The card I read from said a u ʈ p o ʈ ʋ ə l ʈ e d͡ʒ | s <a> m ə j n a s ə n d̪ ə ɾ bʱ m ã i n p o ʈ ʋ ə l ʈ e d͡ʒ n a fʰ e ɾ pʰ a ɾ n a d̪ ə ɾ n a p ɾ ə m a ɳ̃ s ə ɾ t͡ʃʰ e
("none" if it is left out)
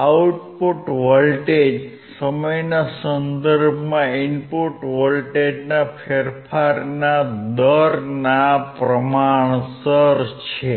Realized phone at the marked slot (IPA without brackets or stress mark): ə